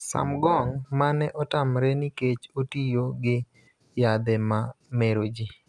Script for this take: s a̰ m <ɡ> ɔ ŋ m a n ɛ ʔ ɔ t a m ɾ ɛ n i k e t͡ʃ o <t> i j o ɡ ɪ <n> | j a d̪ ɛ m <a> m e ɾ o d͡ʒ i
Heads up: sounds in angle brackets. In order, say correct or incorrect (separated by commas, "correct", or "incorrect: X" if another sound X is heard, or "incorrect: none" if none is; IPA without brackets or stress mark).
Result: correct, correct, incorrect: none, correct